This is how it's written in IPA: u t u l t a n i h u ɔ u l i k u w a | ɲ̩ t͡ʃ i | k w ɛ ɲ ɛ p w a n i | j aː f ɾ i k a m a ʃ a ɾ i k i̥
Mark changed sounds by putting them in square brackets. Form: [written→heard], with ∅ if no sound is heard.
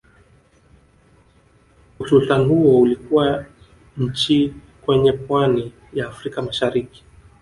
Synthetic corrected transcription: u [t→s] u l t a n i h u ɔ u l i k u w a | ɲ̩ t͡ʃ i | k w ɛ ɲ ɛ p w a n i | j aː f ɾ i k a m a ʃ a ɾ i k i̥

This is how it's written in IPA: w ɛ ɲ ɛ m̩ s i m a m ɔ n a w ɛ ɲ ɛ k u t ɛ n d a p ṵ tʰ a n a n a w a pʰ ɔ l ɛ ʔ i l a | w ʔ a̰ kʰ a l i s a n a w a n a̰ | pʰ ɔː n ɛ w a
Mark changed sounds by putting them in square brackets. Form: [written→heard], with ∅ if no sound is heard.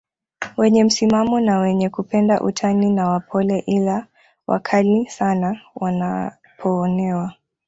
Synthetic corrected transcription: w ɛ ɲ ɛ m̩ s i m a m ɔ n a w ɛ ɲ ɛ k u [t→p] ɛ n d a [p→ʔ] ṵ tʰ a n [a→i] n a w a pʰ ɔ l ɛ ʔ i l a | w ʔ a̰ kʰ a l i s a n a w a n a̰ | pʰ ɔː n ɛ w a

